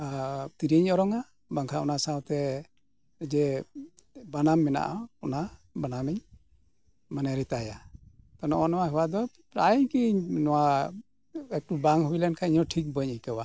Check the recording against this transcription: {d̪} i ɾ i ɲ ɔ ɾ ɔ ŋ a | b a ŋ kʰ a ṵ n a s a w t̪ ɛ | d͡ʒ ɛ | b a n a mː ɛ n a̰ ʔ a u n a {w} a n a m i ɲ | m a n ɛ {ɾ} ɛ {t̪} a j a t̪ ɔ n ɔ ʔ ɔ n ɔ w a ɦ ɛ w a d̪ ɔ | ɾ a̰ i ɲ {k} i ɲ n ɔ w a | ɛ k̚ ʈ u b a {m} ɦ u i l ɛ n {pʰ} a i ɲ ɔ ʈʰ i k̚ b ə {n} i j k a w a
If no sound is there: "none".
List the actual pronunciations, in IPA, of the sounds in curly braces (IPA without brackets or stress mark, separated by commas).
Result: t̪, b, ɾ, t̪, k, ŋ, kʰ, ɲ